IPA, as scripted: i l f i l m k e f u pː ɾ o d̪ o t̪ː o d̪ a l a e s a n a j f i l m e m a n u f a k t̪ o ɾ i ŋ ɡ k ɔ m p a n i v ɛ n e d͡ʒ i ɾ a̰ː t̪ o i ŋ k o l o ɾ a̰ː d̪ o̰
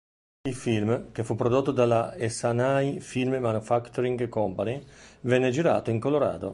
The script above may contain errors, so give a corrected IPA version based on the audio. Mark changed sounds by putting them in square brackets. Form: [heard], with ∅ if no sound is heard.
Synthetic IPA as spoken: i l f i l m k e f u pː ɾ o d̪ o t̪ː o d̪ a l a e s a n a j f i l m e m a n u f a k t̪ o ɾ i ŋ ɡ k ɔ m p a n i v ɛ [nː] e d͡ʒ i ɾ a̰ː t̪ o i ŋ k o l o ɾ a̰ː d̪ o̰